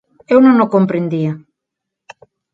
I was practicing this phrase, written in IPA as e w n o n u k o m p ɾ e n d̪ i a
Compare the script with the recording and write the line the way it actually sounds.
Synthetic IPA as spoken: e w n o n o k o m p ɾ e n d̪ i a